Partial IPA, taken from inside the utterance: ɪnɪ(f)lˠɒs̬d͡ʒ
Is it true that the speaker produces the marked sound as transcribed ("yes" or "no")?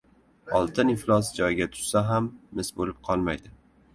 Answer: yes